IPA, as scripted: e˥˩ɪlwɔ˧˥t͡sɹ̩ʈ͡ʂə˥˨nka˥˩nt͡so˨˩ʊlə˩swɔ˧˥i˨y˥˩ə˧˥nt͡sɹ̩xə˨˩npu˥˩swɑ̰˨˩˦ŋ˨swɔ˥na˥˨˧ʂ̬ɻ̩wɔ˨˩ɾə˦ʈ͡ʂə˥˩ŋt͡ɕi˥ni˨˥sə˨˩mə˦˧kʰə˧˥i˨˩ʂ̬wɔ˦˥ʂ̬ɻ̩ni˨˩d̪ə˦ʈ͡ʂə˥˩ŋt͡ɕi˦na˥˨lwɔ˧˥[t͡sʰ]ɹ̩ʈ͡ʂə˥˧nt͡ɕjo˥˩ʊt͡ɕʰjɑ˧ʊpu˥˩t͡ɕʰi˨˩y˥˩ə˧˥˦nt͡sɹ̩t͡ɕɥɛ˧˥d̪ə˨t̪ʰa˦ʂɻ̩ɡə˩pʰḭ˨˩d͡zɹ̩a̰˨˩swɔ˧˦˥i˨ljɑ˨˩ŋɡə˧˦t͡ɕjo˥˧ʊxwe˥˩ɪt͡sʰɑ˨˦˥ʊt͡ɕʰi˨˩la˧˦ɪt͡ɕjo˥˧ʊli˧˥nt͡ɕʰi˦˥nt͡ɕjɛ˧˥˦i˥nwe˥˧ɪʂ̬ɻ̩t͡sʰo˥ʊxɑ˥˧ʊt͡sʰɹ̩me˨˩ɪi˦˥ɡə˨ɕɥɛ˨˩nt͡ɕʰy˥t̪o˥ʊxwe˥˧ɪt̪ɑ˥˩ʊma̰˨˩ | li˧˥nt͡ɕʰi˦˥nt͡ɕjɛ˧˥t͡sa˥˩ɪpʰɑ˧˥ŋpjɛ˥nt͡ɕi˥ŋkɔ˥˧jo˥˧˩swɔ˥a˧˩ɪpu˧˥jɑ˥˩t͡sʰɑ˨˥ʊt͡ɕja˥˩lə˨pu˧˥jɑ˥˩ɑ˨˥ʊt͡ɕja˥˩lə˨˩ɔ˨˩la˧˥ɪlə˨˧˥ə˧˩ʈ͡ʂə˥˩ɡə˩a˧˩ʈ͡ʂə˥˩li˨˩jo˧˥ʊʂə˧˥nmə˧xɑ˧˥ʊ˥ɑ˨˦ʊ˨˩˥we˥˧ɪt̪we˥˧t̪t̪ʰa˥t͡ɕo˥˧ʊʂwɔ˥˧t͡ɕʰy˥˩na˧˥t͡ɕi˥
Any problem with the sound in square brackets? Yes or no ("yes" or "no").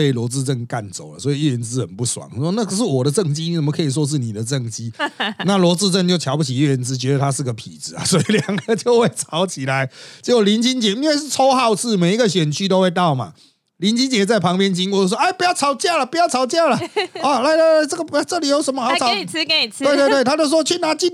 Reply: yes